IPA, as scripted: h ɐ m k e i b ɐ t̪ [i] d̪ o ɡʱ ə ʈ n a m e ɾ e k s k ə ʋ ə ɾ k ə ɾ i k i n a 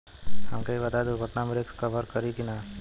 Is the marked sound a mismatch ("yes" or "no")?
yes